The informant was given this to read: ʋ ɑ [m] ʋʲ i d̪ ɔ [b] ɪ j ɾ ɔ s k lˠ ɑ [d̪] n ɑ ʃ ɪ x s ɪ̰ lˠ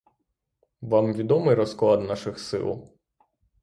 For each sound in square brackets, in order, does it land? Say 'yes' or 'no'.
yes, no, yes

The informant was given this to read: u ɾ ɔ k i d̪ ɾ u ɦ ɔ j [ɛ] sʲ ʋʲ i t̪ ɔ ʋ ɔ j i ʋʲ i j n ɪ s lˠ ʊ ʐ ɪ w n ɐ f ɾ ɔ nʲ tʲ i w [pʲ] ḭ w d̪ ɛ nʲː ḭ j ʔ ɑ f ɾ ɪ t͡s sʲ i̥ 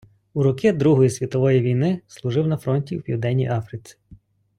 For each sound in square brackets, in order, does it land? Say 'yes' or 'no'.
no, yes

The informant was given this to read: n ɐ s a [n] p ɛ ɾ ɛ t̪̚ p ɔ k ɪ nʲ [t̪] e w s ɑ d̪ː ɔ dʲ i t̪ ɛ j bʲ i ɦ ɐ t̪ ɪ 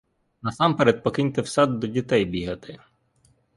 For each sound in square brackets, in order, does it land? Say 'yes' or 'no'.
no, yes

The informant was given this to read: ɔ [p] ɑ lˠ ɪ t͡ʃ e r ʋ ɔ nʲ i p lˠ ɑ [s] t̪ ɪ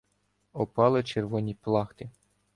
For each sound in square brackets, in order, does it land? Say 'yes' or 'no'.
yes, no

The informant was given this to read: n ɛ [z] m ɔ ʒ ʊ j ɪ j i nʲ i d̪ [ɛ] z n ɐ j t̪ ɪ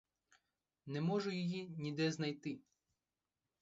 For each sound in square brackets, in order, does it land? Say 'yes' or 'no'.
no, yes

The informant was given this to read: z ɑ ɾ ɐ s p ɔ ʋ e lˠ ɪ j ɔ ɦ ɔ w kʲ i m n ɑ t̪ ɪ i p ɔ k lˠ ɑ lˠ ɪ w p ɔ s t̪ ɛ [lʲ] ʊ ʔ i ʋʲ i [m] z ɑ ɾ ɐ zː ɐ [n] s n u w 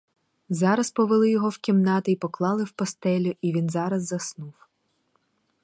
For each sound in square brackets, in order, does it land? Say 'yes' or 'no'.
yes, no, no

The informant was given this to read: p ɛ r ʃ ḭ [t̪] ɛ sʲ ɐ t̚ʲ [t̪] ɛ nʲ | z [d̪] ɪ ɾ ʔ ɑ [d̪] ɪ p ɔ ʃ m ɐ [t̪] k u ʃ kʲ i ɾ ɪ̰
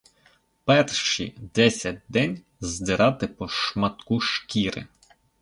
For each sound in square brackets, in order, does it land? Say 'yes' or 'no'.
no, no, yes, no, yes

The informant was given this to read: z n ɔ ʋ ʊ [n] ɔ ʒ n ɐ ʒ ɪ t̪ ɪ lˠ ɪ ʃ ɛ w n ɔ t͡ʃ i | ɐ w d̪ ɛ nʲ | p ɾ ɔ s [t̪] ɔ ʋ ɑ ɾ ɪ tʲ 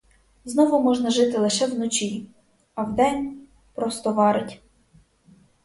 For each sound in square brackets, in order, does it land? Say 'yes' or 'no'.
no, yes

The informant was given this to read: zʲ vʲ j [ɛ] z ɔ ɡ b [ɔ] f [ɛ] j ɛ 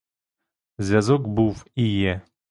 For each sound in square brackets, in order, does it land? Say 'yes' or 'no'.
no, no, no

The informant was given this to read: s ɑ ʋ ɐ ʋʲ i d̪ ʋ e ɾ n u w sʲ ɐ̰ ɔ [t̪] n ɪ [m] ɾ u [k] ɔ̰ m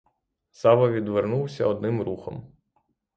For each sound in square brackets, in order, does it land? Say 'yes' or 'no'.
no, yes, no

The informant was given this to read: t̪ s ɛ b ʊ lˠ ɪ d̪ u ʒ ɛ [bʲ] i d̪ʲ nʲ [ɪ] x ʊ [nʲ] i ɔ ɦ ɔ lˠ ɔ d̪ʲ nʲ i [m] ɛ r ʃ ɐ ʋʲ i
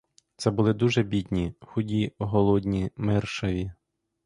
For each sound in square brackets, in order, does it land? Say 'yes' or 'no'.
yes, no, no, yes

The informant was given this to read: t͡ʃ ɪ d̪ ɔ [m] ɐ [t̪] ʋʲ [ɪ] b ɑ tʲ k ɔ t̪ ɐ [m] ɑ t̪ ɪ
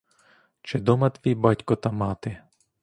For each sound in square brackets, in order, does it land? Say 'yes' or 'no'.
yes, yes, no, yes

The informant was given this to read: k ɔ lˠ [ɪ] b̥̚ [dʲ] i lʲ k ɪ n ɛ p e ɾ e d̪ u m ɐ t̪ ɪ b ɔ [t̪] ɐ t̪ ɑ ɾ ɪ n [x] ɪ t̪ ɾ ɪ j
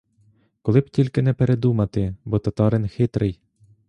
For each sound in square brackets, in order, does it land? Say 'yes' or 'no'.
yes, no, yes, yes

